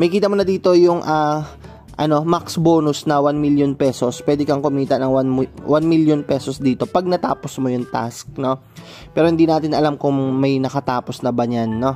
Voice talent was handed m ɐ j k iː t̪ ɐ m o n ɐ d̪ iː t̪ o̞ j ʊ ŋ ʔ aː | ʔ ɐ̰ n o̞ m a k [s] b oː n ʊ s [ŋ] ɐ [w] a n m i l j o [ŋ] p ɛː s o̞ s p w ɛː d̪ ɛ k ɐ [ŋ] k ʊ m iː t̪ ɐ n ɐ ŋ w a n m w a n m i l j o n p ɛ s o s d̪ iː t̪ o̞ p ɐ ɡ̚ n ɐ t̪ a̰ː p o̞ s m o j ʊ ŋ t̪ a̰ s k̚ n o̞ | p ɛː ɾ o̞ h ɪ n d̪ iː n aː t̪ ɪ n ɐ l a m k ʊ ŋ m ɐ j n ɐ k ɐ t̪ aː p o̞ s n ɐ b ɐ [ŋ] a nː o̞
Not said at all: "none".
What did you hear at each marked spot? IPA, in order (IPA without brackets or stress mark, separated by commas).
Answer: s, n, w, n, ŋ, ɲ